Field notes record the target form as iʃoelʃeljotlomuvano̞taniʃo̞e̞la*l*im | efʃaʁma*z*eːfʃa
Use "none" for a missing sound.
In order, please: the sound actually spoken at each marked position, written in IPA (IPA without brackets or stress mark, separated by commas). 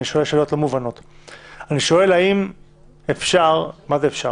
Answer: none, z